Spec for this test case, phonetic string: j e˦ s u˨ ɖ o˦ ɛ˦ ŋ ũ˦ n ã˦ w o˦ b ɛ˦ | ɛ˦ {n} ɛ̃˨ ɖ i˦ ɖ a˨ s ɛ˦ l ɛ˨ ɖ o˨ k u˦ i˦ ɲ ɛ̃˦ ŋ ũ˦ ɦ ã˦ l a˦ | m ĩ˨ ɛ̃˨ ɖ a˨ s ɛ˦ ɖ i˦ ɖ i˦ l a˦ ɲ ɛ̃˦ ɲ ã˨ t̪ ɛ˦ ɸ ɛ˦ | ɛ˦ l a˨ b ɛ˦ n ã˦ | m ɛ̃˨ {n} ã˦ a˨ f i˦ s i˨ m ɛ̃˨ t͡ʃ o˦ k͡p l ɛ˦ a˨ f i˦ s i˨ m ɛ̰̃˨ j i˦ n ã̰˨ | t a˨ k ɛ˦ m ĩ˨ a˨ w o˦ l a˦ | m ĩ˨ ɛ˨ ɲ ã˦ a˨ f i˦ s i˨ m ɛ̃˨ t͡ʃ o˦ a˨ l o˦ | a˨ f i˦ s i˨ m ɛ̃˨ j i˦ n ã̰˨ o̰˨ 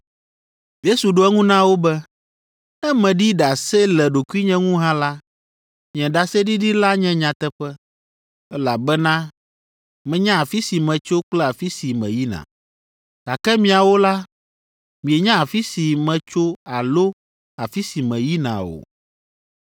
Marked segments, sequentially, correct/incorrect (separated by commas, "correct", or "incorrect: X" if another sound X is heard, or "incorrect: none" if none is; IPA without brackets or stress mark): incorrect: m, incorrect: ɲ